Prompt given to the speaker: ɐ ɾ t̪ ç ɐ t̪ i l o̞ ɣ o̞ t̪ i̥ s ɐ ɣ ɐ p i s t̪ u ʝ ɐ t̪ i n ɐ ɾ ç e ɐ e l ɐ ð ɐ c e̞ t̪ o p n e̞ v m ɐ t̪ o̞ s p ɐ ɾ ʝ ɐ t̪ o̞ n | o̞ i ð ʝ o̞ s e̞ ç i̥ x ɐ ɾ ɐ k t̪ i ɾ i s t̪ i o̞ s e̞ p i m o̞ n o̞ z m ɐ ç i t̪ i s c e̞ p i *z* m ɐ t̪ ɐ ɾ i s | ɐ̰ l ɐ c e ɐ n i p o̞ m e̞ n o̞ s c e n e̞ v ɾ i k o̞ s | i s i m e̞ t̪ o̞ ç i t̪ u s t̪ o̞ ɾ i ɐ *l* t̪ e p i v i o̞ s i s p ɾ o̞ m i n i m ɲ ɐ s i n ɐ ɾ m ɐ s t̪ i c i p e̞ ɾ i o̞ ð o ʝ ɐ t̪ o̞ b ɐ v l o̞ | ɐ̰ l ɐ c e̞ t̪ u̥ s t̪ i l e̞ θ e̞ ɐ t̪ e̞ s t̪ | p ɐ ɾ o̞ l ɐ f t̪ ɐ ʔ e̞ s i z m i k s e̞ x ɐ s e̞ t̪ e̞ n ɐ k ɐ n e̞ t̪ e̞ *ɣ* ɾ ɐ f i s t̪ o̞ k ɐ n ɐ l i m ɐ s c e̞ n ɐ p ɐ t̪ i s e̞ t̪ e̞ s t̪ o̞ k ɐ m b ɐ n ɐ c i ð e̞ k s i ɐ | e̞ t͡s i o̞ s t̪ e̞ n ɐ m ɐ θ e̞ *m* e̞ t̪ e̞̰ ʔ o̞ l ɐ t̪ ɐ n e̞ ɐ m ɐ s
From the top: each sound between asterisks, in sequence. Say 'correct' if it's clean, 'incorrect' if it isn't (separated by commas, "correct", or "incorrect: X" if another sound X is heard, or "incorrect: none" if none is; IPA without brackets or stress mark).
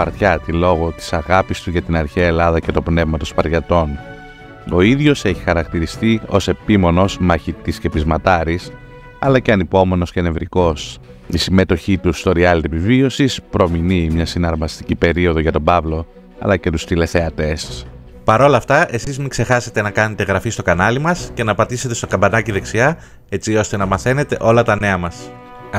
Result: correct, correct, correct, incorrect: n